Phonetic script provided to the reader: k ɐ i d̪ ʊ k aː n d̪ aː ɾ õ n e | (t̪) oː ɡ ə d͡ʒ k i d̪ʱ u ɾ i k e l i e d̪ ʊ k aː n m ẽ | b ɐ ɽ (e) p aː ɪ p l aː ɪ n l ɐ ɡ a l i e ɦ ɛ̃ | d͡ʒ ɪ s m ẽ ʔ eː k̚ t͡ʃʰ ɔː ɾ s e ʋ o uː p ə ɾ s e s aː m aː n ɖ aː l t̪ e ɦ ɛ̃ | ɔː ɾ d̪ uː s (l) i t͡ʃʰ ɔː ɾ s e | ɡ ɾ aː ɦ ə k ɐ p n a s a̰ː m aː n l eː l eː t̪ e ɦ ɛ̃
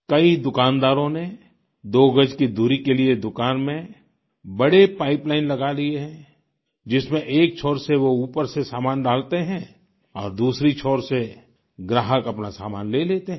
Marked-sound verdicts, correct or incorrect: incorrect: d̪, correct, incorrect: ɾ

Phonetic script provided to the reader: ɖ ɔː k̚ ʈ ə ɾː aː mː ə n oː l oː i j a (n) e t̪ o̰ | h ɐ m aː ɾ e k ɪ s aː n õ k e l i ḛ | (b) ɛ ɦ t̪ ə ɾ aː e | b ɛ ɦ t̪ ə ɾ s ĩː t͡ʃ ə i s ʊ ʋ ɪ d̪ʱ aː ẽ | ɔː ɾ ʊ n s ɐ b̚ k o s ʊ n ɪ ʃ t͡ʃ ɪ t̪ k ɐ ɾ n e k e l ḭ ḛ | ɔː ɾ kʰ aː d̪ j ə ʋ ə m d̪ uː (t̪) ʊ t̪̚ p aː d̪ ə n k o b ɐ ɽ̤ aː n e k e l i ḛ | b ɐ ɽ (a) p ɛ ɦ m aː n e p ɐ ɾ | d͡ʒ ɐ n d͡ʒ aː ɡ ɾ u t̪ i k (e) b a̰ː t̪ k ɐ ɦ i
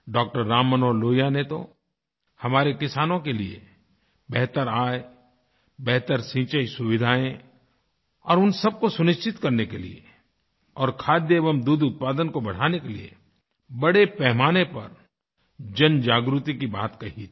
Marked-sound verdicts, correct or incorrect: correct, correct, incorrect: d̪, incorrect: e, incorrect: i

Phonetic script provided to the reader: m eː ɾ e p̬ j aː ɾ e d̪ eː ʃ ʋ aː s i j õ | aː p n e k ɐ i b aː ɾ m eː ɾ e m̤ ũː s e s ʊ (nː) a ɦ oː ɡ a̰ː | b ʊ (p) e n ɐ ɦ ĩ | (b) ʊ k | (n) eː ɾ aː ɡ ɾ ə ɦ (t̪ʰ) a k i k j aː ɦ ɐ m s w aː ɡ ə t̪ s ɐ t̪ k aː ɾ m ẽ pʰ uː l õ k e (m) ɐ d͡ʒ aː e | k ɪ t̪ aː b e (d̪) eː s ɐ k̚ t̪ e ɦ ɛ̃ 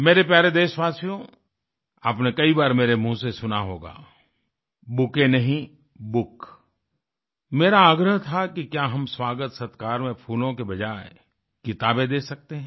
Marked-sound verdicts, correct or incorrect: incorrect: n, incorrect: k, correct, incorrect: m, correct, incorrect: b, correct

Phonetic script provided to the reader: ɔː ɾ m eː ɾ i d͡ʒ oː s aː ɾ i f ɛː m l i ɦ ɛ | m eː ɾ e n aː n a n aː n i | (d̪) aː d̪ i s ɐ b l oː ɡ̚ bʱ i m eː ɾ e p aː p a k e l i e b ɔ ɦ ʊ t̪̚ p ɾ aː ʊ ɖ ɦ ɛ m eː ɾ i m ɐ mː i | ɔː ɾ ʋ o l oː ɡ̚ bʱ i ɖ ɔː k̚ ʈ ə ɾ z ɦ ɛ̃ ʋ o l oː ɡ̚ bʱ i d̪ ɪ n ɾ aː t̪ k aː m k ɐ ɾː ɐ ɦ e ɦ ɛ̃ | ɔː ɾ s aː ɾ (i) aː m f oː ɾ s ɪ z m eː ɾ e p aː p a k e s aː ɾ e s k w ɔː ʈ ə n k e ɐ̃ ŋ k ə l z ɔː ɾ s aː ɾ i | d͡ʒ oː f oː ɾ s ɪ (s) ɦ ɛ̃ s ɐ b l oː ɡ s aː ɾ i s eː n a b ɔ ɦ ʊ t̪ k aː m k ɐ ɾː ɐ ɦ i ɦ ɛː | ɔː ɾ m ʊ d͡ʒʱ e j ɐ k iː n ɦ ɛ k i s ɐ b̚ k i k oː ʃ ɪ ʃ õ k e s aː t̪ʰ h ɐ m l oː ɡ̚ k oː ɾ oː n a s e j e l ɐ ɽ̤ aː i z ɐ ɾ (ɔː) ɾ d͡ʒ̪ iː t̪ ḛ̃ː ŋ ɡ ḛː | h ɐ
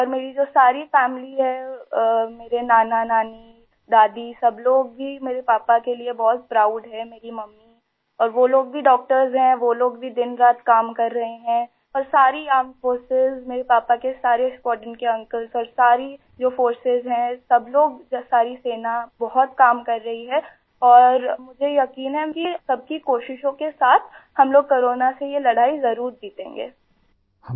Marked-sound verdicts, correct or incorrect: correct, correct, incorrect: z, incorrect: uː

